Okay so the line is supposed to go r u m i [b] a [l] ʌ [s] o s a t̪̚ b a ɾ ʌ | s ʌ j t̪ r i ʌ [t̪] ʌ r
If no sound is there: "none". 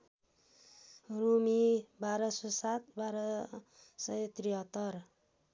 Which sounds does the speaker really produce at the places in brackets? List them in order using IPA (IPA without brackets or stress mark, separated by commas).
b, ɾ, s, t̪